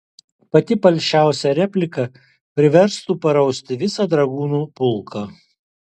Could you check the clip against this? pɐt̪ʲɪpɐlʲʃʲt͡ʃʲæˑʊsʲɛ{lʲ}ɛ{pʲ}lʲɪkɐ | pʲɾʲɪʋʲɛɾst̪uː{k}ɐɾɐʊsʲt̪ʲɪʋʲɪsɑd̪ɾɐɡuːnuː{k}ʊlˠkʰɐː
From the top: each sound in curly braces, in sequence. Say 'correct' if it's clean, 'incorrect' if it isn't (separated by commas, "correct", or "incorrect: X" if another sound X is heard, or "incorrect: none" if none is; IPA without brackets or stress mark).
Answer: incorrect: ɾʲ, correct, incorrect: p, incorrect: p